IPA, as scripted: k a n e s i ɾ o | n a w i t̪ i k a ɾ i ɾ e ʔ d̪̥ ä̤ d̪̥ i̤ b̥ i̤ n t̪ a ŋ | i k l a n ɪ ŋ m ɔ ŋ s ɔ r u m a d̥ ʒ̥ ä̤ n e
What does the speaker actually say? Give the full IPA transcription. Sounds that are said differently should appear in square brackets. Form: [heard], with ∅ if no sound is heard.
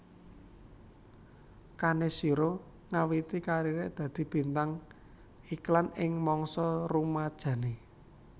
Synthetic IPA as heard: k a n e s i ɾ o | [ŋ] a w i t̪ i k a ɾ i ɾ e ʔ d̪̥ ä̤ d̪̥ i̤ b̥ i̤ n t̪ a ŋ | i k l a n ɪ ŋ m ɔ ŋ s ɔ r u m a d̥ ʒ̥ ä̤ n e